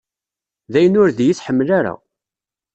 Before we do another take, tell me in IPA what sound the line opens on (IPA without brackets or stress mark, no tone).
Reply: ð